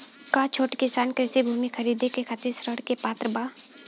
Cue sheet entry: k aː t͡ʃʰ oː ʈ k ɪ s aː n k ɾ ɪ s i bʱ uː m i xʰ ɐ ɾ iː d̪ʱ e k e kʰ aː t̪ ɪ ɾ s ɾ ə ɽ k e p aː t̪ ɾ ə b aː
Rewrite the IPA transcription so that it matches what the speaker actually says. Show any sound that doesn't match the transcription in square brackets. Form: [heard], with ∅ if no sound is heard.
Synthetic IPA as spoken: k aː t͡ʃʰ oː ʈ k ɪ s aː n k ɾ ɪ s i bʱ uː m i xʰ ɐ ɾ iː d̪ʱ e k e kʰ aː t̪ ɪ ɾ s ɾ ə ɽ k e p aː t̪ ɾ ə b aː